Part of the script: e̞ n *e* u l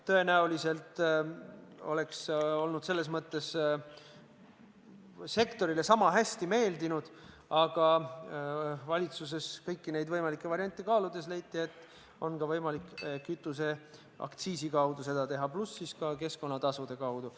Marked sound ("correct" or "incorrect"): incorrect